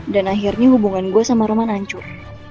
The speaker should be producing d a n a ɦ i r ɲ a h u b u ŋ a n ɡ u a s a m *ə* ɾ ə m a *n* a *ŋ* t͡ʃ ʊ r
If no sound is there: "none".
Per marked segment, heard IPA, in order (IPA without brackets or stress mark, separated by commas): a, n, ɲ